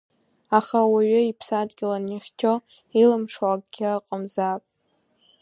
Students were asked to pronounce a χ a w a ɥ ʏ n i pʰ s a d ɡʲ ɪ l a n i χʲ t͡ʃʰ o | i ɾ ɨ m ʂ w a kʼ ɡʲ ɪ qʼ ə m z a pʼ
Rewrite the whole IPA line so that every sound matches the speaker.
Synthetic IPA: a χ a w a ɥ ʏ i pʰ s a d ɡʲ ɪ l a n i χʲ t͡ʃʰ o | i l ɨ m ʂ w a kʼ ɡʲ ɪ qʼ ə m z a pʼ